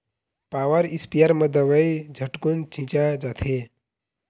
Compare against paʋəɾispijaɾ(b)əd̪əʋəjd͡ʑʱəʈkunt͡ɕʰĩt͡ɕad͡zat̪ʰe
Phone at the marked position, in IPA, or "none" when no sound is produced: m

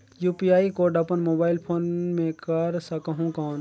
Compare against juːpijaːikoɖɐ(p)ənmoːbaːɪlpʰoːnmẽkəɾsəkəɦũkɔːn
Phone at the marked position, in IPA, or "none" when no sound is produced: p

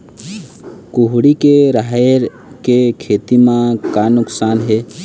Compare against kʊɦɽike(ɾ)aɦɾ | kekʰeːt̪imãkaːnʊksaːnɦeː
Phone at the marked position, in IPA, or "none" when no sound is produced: ɾ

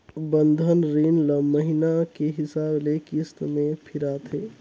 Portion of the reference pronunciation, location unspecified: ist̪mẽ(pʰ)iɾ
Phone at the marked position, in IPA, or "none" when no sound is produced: pʰ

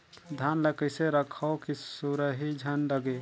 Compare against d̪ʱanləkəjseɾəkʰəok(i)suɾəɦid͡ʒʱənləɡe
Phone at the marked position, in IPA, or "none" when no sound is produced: i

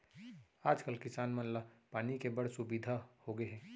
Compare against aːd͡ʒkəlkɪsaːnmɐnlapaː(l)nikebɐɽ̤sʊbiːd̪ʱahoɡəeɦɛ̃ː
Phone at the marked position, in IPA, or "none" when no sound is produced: none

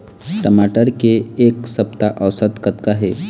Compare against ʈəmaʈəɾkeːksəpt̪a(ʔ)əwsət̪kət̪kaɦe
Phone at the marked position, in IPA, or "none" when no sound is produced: ʔ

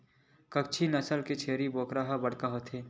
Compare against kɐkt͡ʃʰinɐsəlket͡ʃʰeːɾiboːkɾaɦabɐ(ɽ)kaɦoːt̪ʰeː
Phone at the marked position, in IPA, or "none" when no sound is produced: ɽ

